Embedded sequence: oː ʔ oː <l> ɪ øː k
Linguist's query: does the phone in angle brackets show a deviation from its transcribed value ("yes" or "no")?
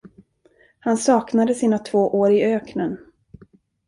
yes